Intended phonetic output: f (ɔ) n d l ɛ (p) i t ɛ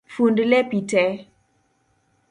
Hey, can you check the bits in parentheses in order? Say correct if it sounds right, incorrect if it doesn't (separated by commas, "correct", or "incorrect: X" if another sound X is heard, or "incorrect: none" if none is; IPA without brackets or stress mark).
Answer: incorrect: u, correct